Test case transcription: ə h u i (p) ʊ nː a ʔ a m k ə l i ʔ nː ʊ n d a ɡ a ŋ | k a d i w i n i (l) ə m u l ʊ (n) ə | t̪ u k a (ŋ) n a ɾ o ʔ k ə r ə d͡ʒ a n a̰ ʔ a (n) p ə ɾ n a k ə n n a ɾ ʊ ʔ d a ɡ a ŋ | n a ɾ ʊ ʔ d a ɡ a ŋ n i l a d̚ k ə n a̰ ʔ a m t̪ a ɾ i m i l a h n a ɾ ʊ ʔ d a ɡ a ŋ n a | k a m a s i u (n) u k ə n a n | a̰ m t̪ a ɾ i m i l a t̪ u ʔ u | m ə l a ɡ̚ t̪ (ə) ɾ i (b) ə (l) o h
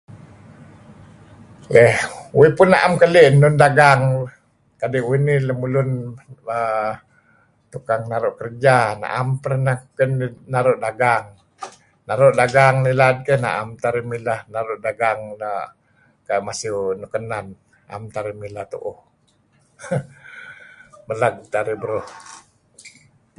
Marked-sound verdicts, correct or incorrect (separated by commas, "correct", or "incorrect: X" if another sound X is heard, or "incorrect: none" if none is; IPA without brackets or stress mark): correct, correct, correct, correct, incorrect: m, correct, incorrect: a, correct, incorrect: ɾ